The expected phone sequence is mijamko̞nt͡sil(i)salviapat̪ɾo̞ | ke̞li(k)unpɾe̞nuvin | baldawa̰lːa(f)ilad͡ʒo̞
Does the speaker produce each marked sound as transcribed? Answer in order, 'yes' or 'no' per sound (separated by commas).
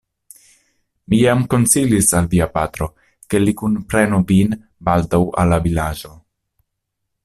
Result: yes, yes, no